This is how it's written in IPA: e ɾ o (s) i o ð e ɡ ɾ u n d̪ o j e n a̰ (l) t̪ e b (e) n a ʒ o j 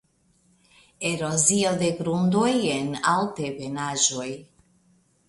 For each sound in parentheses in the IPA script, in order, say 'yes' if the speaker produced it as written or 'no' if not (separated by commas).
no, yes, yes